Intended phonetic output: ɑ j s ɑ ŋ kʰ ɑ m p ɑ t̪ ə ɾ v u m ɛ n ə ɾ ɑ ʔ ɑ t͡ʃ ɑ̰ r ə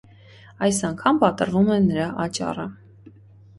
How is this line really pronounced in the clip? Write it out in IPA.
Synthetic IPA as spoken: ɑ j s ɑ ŋ kʰ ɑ m p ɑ t̪ ə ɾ v u m ɛ n ə ɾ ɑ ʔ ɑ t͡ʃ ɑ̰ r ə